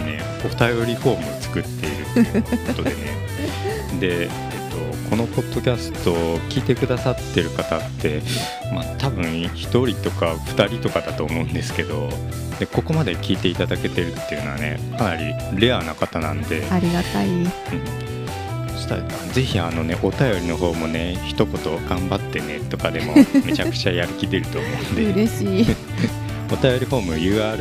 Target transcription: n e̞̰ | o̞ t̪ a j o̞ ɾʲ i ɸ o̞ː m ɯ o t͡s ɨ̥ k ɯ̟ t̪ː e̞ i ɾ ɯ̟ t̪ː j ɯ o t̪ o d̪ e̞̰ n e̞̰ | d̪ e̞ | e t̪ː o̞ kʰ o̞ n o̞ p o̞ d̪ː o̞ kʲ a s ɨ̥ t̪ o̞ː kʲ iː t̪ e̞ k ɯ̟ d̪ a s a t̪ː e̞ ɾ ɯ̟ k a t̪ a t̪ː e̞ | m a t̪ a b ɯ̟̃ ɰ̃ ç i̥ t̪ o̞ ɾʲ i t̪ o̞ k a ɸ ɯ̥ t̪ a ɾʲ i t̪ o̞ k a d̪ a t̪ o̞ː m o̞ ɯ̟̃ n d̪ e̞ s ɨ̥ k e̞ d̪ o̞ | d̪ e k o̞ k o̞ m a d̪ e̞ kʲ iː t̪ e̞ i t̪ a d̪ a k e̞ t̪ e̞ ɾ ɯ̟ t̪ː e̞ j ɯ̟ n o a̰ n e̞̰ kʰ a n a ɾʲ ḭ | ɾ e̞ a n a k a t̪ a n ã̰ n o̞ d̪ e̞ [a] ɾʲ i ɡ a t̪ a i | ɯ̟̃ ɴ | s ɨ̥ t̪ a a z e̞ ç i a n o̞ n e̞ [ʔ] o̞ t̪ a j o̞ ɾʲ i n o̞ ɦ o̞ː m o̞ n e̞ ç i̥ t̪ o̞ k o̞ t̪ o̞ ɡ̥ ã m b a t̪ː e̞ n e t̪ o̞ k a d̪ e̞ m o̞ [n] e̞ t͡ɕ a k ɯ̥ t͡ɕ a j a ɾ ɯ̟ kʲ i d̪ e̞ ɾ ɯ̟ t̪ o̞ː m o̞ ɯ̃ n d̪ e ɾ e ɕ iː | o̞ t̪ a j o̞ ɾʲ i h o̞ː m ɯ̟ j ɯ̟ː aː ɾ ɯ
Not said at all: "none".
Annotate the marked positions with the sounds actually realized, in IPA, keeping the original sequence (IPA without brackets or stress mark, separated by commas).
a, ʔ, m